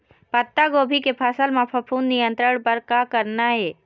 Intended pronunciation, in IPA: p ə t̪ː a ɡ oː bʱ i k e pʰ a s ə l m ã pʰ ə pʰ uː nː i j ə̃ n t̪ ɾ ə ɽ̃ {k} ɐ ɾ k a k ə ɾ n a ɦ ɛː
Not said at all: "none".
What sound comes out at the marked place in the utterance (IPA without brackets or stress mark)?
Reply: p